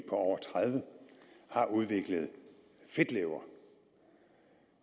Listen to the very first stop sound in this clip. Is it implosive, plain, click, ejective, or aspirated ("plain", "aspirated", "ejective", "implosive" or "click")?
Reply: aspirated